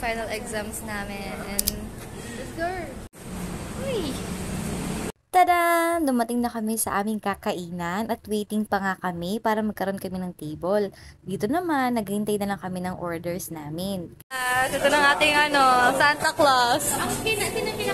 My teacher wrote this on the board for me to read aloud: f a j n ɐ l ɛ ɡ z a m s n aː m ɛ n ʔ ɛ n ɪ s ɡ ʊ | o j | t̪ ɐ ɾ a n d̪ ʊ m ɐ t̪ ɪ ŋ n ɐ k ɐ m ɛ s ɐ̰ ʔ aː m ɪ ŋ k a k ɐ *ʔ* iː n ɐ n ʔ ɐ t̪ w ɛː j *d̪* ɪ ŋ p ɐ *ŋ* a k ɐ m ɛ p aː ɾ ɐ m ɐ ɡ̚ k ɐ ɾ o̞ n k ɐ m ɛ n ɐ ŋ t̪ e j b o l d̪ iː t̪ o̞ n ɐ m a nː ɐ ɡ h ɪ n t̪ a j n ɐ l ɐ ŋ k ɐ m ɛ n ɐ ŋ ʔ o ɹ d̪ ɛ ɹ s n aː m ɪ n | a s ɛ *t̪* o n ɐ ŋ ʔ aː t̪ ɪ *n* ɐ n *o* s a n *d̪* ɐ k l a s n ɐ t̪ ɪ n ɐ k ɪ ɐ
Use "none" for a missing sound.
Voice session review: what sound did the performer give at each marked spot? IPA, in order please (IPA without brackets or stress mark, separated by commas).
ʔ, t̪, ŋ, t̪, ŋ, o, t̪